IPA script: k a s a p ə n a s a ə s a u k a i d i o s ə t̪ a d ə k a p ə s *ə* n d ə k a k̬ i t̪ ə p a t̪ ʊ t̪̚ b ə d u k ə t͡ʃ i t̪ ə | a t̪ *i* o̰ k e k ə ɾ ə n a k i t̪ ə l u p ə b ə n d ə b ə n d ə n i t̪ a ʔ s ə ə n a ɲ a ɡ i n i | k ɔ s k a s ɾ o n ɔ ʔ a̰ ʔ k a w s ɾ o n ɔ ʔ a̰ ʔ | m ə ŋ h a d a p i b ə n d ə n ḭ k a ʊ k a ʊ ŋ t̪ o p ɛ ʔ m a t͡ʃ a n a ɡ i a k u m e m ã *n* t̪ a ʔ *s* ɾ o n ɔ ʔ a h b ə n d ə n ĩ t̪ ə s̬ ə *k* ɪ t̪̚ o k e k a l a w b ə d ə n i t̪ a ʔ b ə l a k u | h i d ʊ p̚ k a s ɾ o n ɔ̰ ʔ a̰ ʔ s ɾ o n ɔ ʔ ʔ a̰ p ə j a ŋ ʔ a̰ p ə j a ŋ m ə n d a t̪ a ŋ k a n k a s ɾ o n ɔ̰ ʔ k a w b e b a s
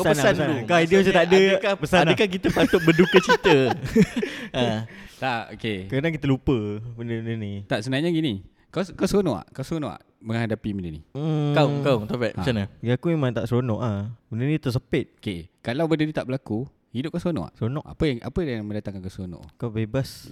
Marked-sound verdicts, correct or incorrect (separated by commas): incorrect, incorrect, incorrect, correct, incorrect